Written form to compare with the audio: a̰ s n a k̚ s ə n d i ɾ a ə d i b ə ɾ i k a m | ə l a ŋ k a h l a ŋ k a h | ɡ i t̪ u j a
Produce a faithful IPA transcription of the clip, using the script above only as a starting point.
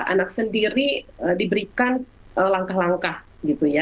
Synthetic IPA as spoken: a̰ n a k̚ s ə n d i ɾ i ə d i b ə ɾ i k a n | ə l a ŋ k a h l a ŋ k a h | ɡ i t̪ u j a